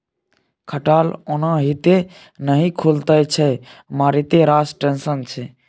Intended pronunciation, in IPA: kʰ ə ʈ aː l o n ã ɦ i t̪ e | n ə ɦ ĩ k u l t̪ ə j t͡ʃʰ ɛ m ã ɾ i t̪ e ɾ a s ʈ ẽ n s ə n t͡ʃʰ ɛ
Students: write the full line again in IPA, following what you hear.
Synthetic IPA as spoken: kʰ ə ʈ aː l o n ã ɦ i t̪ e | n ə ɦ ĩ kʰ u l t̪ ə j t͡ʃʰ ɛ m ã ɾ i t̪ e ɾ a s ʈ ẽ n s ə n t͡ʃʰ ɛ